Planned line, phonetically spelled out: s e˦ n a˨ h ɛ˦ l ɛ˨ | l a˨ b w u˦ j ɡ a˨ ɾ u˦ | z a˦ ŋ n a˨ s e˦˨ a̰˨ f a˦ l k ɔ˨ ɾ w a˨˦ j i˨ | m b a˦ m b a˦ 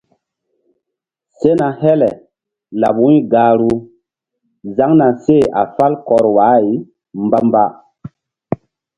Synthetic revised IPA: s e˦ n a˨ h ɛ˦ l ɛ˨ | l a˨ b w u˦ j ɡ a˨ ɾ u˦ | z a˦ ŋ n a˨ s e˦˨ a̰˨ f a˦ l k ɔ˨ ɾ w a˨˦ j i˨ | m b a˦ m b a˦